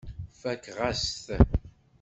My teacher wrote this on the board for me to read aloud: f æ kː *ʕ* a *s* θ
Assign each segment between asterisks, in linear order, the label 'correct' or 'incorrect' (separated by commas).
incorrect, correct